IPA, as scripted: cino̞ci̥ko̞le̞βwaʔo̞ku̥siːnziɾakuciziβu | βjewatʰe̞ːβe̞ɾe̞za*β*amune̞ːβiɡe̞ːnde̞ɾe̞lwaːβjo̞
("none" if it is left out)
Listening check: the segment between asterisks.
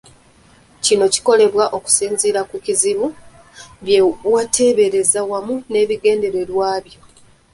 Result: w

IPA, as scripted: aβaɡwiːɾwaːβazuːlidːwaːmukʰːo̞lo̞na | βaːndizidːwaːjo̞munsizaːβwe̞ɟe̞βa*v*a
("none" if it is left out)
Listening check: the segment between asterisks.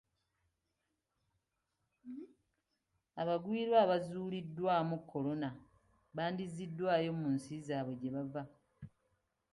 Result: v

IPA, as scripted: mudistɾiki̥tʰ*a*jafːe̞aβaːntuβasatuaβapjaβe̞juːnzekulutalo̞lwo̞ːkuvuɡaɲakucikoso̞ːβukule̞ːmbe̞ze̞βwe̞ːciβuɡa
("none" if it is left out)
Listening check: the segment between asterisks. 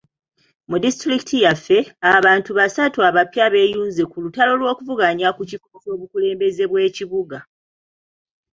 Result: i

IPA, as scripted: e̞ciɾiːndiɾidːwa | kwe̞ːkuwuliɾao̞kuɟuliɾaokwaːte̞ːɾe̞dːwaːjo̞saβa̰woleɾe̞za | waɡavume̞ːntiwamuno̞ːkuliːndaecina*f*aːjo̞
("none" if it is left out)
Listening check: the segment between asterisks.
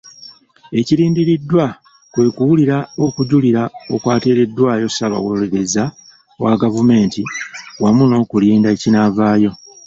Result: v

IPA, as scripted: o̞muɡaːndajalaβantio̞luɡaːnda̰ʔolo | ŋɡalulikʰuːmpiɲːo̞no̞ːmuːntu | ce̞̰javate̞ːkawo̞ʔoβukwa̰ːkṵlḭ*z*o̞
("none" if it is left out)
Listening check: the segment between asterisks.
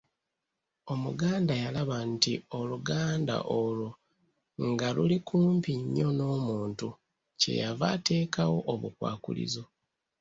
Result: z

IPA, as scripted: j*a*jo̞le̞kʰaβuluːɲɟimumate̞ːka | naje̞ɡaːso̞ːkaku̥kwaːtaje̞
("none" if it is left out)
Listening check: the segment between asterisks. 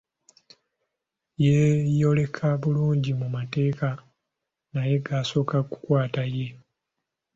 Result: e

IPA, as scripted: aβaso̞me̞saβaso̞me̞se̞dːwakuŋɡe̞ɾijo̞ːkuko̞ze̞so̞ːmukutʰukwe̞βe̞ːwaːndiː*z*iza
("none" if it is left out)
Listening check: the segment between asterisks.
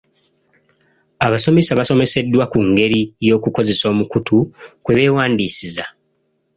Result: s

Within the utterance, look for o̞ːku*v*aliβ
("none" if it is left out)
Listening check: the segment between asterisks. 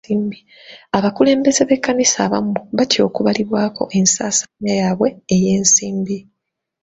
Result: β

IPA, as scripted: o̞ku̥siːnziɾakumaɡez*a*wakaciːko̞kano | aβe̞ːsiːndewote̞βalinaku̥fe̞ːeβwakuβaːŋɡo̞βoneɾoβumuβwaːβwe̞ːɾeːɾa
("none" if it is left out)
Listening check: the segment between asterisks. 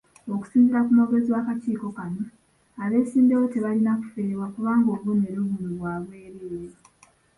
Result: i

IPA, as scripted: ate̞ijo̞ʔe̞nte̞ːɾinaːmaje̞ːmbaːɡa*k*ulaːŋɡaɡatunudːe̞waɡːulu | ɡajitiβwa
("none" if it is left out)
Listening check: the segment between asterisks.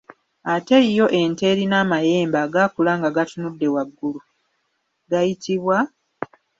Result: k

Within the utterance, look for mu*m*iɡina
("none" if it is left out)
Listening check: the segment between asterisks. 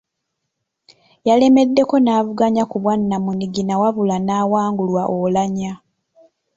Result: n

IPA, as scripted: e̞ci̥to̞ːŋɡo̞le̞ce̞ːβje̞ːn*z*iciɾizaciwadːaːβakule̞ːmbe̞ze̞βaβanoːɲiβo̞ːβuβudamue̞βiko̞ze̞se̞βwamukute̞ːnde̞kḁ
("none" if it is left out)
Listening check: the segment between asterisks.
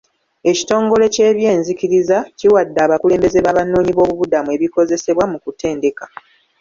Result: z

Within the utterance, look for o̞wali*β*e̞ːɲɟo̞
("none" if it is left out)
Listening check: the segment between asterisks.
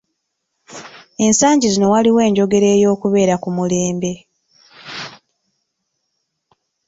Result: w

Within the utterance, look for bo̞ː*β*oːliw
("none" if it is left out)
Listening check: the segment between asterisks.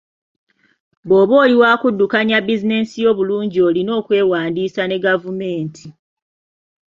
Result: β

